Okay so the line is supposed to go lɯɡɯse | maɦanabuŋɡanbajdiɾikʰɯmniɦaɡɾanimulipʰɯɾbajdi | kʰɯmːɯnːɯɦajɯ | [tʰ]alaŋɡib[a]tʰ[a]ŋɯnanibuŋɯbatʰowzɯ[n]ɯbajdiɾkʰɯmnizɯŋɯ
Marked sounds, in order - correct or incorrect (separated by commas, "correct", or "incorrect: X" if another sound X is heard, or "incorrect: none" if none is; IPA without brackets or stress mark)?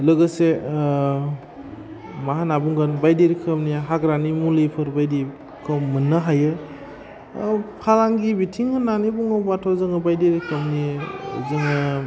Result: incorrect: pʰ, incorrect: i, incorrect: i, incorrect: ŋ